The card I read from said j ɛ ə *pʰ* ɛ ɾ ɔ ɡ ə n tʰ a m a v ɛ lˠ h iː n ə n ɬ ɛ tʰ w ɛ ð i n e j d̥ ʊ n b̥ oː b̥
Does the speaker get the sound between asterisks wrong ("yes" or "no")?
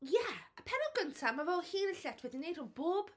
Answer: no